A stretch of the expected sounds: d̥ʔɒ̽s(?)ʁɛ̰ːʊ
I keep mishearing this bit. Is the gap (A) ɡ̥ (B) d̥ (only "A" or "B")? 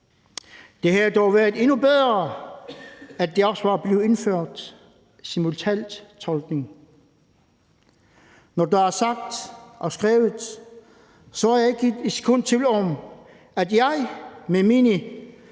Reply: A